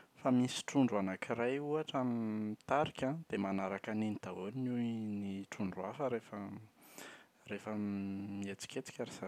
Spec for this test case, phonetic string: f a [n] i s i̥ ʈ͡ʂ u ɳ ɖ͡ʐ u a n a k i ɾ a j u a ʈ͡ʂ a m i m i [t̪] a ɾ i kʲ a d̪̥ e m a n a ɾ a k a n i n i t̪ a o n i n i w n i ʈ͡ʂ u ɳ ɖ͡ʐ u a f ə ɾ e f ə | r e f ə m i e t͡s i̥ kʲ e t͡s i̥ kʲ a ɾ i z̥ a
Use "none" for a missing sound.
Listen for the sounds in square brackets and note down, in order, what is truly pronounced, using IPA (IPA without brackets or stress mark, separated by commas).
m, t̪